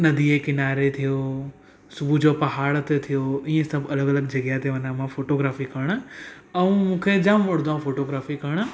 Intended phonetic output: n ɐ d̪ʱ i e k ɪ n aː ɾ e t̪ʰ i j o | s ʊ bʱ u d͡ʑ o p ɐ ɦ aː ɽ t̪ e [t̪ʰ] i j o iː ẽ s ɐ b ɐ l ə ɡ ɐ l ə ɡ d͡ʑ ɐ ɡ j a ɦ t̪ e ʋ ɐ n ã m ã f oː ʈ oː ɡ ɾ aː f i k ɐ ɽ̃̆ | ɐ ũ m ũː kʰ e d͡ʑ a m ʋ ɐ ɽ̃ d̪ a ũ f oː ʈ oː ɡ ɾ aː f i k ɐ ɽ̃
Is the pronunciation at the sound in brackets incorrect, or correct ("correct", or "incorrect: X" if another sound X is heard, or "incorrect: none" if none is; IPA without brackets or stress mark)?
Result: correct